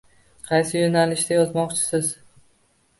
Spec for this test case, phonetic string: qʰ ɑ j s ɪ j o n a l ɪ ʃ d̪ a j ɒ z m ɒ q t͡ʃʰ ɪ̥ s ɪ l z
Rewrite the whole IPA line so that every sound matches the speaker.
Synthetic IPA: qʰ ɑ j s ɪ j o n a l ɪ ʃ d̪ a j ɒ z m ɒ q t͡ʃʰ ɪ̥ s ɪ z